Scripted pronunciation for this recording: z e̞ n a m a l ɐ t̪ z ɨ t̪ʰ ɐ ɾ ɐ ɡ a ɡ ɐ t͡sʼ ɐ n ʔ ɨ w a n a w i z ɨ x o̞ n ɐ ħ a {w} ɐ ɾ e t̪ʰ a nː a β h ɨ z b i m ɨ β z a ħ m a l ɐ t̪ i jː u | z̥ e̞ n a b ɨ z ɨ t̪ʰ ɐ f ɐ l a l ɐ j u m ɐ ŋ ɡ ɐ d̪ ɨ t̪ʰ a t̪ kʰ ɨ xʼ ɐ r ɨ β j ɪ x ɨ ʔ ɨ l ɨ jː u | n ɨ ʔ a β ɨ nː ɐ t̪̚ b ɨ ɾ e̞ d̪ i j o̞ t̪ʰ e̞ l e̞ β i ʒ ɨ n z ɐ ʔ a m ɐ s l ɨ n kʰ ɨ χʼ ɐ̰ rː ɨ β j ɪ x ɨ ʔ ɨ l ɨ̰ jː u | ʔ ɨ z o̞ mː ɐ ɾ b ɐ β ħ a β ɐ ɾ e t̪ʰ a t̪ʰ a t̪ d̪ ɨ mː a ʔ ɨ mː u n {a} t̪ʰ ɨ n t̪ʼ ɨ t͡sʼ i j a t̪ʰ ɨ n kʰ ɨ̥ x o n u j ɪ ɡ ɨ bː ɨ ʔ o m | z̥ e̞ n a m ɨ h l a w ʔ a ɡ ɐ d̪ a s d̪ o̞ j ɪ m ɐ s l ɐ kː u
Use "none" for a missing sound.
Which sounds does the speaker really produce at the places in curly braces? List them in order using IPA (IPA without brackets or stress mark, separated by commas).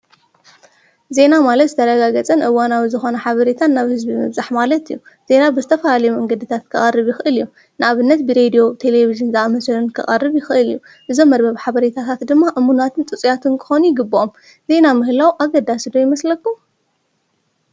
β, a